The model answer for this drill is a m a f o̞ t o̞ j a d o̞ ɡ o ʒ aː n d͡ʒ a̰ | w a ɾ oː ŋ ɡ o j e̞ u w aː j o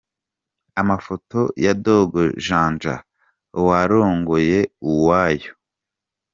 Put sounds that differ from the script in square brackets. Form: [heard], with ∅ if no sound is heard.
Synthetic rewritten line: a m a f o̞ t o̞ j a d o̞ ɡ o ʒ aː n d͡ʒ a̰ | w a ɾ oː ŋ ɡ o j e̞ u w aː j o